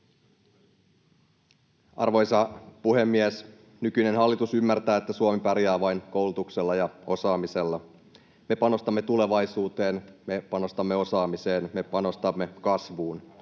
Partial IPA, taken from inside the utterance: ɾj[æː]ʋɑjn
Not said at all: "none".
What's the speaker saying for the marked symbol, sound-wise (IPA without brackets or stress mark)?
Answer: æː